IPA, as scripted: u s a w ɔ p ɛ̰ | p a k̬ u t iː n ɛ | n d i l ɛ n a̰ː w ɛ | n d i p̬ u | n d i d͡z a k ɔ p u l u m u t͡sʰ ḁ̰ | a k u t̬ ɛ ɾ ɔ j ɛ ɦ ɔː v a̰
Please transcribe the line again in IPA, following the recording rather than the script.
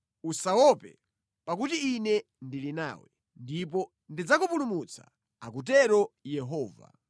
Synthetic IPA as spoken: u s a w ɔ p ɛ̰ | p a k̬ u t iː n ɛ | n d i l i n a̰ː w ɛ | n d i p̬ ɔ | n d i d͡z a k u p u l u m u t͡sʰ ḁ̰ | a k u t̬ ɛ ɾ ɔ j ɛ ɦ ɔː v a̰